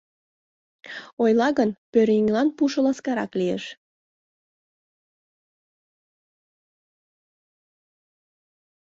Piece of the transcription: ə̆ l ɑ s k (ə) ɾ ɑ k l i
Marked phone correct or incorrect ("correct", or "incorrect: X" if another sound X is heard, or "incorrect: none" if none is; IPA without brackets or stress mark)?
incorrect: ɑ